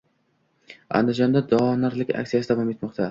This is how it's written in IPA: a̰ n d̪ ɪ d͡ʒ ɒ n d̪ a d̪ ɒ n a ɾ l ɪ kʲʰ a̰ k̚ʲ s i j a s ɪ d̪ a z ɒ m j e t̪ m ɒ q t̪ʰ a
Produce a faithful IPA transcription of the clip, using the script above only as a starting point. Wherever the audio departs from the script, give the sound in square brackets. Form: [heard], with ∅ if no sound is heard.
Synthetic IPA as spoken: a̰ n d̪ ɪ d͡ʒ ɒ n d̪ a d̪ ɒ n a ɾ l ɪ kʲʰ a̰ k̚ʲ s i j a s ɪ d̪ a [v] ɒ m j e t̪ m ɒ q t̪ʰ a

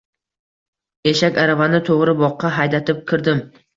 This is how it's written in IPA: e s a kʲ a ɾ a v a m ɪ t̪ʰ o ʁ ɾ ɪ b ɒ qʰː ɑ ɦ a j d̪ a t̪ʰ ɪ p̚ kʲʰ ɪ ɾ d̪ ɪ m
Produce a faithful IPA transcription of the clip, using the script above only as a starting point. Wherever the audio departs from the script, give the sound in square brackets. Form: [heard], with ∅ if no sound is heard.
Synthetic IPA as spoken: e [ʃ] a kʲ a ɾ a v a [n] ɪ t̪ʰ o ʁ ɾ ɪ b ɒ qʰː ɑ ɦ a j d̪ a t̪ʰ ɪ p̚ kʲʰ ɪ ɾ d̪ ɪ m

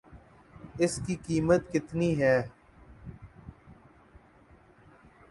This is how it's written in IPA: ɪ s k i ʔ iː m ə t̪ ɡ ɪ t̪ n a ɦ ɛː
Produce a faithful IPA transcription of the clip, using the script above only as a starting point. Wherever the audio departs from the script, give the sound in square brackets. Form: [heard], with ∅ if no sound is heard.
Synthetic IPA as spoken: ɪ s k i [k] iː m ə t̪ [k] ɪ t̪ n [i] ɦ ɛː

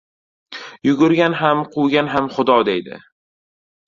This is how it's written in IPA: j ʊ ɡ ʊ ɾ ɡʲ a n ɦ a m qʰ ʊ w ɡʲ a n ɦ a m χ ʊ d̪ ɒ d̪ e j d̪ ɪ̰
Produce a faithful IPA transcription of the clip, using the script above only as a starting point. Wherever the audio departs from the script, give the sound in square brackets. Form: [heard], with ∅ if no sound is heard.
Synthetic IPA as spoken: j ʊ ɡ ʊ ɾ ɡʲ a n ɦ a m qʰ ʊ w ɡʲ a n ɦ a m χ ʊ d̪ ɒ d̪ e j d̪ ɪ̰

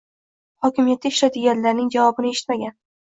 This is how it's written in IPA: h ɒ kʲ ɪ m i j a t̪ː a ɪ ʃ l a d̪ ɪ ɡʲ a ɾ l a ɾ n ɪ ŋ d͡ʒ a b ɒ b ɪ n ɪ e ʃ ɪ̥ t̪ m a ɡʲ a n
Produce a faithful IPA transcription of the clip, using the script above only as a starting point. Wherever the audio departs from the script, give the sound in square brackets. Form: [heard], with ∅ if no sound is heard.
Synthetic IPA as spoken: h ɒ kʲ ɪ m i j a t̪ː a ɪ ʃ l a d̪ ɪ ɡʲ a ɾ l a ɾ n ɪ ŋ d͡ʒ a [v] ɒ b ɪ n ɪ e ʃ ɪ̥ t̪ m a ɡʲ a n

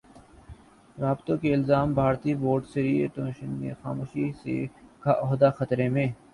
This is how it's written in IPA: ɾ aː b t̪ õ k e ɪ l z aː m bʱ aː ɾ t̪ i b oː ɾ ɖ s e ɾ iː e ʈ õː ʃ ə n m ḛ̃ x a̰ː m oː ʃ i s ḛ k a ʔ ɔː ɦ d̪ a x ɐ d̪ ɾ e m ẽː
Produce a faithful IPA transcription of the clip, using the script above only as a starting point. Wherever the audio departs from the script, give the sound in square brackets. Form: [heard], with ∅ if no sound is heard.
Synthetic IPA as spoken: ɾ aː b t̪ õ k e ɪ l z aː m bʱ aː ɾ t̪ i b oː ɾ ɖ s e ɾ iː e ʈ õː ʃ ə n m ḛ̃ x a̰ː m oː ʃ i s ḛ k a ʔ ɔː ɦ d̪ a x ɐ [t̪] ɾ e m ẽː

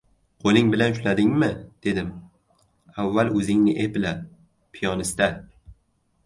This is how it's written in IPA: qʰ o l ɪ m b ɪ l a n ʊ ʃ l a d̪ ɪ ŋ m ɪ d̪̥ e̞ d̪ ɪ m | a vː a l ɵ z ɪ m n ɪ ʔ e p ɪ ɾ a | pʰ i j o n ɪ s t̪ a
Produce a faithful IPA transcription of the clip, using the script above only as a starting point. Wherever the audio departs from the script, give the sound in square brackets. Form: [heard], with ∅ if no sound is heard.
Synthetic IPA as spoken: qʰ o l ɪ [ŋ] b ɪ l a n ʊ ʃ l a d̪ ɪ ŋ m ɪ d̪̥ e̞ d̪ ɪ m | a vː a l ɵ z ɪ [ŋ] n ɪ ʔ e p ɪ [l] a | pʰ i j [ɒ] n ɪ s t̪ a

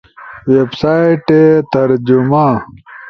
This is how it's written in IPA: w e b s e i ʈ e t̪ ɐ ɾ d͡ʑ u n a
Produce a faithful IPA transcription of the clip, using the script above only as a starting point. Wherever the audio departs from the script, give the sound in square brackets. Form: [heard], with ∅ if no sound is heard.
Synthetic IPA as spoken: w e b s [a] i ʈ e t̪ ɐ ɾ d͡ʑ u [m] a

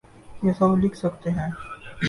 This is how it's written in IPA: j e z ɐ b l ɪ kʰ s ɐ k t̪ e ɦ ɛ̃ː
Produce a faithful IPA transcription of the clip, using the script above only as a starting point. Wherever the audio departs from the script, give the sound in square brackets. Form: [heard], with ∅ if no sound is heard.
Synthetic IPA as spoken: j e [s] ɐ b l ɪ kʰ s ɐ k t̪ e ɦ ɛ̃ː

